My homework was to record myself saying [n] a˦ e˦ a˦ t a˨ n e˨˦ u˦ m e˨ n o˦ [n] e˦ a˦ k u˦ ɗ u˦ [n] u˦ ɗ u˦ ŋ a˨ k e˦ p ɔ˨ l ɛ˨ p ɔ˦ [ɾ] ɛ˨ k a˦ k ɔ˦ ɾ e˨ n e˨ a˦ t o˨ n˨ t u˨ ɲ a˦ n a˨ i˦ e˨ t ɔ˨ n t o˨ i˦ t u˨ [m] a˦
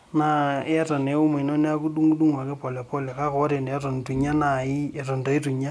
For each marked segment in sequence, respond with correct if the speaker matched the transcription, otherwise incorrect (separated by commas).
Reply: correct, correct, incorrect, incorrect, incorrect